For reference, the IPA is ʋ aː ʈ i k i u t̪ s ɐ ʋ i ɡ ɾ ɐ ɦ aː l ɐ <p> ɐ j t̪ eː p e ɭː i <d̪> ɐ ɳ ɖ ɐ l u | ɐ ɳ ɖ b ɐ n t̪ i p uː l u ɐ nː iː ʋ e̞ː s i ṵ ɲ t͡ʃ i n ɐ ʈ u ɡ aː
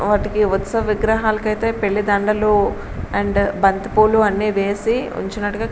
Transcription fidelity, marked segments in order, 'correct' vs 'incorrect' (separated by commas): incorrect, correct